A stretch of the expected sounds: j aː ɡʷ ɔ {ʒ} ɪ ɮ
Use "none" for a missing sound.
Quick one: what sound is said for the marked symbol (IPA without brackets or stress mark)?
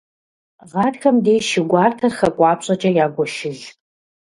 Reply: ʃ